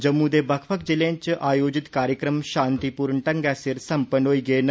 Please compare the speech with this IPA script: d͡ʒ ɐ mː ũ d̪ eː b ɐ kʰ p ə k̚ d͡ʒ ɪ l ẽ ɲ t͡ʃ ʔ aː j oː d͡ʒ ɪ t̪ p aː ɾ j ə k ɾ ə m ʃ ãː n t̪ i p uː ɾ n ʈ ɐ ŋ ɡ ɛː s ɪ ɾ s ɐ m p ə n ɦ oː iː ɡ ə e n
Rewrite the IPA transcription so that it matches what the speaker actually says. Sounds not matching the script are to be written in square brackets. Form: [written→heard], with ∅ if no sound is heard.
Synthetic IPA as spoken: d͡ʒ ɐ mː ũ d̪ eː b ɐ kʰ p ə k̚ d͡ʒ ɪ l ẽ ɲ t͡ʃ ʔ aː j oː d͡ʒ ɪ t̪ [p→k] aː ɾ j ə k ɾ ə m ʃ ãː n t̪ i p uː ɾ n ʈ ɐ ŋ ɡ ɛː s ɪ ɾ s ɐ m p ə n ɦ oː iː ɡ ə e n